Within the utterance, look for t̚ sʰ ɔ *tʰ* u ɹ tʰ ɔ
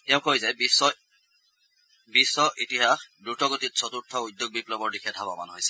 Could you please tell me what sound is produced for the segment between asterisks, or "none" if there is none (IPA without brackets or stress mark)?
t